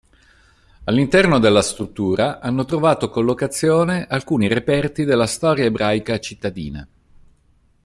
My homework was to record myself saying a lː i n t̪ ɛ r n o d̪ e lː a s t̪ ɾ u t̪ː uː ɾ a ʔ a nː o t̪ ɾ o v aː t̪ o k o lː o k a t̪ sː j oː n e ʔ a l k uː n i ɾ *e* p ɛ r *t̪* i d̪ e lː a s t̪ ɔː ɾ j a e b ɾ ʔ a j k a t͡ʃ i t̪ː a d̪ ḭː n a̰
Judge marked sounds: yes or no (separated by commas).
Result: yes, yes